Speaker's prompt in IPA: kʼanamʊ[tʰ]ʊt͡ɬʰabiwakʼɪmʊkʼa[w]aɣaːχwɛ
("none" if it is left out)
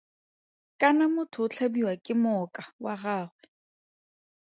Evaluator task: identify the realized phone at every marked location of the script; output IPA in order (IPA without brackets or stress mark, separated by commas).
tʰ, w